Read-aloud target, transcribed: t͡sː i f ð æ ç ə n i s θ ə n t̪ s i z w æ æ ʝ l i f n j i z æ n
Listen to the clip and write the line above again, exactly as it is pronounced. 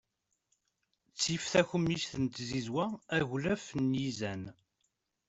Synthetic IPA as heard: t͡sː i f θ æ ç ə m i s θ ə n t̪ z i z w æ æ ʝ l æ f n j i z æ n